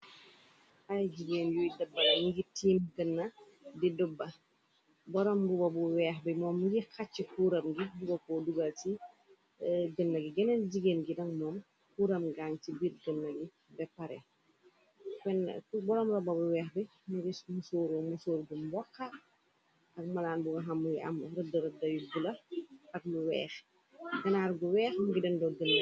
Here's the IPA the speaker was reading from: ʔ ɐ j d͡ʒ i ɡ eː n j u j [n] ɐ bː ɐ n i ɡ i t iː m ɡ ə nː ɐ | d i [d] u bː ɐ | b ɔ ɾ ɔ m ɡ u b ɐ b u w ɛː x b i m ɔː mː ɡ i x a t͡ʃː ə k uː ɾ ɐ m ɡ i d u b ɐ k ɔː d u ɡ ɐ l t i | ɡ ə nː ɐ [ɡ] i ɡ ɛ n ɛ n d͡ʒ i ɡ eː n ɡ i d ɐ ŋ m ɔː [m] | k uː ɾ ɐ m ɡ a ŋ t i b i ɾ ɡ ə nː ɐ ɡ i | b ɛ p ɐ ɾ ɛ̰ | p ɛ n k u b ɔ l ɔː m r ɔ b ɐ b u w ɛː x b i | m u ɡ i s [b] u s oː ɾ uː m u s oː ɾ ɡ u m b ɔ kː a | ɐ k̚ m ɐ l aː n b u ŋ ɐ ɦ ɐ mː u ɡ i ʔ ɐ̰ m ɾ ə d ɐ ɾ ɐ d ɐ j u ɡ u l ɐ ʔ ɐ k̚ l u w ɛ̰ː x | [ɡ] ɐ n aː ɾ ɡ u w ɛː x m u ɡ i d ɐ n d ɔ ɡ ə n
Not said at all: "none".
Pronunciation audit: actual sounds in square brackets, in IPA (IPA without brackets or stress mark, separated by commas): d, d, ɡ, m, m, ɡ